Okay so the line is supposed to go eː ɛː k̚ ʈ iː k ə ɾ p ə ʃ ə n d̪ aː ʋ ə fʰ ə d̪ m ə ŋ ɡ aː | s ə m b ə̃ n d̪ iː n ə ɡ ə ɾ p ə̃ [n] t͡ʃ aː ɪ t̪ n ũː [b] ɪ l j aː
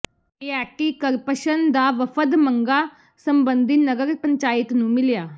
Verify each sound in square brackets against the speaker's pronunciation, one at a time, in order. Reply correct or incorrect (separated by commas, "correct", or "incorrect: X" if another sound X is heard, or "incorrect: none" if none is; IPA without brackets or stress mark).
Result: incorrect: ɲ, incorrect: m